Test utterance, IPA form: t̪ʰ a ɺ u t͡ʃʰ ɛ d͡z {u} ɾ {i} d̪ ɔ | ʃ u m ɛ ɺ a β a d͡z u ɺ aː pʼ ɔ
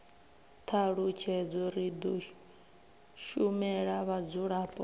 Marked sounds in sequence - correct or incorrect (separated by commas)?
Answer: incorrect, correct